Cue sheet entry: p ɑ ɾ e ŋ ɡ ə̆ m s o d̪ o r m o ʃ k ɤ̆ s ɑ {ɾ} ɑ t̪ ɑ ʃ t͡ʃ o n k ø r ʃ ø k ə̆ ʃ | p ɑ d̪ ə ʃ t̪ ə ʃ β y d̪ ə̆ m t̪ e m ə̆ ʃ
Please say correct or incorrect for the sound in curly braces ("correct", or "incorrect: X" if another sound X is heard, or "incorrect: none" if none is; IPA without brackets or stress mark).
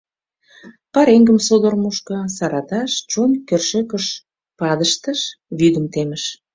correct